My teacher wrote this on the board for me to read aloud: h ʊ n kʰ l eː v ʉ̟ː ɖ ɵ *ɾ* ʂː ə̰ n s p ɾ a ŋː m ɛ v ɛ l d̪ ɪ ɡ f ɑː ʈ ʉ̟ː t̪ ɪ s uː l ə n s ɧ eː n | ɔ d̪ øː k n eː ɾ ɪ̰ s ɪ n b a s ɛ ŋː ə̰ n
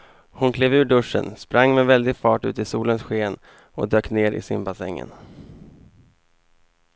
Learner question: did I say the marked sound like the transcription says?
no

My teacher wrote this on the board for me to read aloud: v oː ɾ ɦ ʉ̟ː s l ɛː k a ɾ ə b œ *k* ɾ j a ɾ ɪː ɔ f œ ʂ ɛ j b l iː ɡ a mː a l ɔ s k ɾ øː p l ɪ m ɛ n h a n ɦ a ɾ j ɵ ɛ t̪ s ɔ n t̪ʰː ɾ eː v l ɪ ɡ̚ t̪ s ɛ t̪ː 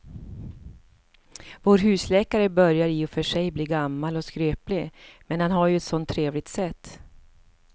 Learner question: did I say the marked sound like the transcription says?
no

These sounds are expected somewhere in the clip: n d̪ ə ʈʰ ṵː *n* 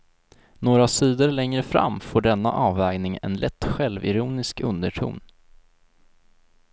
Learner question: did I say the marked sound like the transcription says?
yes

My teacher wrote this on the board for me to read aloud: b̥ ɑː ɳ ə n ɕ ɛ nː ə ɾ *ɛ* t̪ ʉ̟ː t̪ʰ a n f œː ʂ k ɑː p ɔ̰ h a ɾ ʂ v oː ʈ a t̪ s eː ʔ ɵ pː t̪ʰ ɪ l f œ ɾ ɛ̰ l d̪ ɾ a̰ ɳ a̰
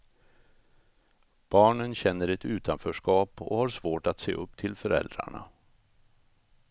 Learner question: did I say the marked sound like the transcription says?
yes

